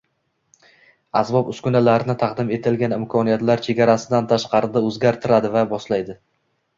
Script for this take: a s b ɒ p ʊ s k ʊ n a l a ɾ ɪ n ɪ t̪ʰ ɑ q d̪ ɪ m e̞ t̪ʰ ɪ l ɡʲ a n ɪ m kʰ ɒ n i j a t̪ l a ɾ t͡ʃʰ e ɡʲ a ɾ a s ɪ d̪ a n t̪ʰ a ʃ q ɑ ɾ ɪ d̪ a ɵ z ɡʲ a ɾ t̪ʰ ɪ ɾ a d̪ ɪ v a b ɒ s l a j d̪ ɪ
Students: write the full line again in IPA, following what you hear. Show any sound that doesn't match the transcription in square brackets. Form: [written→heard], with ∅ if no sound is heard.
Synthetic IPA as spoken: a s b ɒ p ʊ s k ʊ n a l a ɾ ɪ n ɪ t̪ʰ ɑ q d̪ ɪ m e̞ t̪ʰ ɪ l ɡʲ a n ɪ m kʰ ɒ n i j a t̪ l a ɾ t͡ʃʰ e ɡʲ a ɾ a s ɪ d̪ a n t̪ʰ a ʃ q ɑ ɾ ɪ d̪ a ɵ z ɡʲ a ɾ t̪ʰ ɪ ɾ a d̪ ɪ v a b ɒ s l a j d̪ ɪ